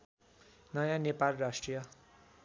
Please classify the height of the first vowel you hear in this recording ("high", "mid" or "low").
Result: mid